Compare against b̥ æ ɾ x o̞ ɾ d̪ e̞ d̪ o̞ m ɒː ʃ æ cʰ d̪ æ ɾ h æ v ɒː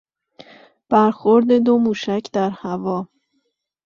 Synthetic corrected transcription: b̥ æ ɾ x o̞ ɾ d̪ e̞ d̪ o̞ m uː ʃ æ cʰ d̪ æ ɾ h æ v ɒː